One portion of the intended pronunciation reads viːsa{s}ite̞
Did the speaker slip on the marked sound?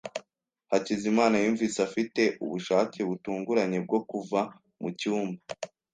yes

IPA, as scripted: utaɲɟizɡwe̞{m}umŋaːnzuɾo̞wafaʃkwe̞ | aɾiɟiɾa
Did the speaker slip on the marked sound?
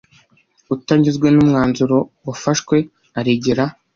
yes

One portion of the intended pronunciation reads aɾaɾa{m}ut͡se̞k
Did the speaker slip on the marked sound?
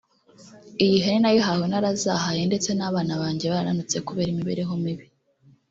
yes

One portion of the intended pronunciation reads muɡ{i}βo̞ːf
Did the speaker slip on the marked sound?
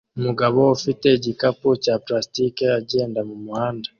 yes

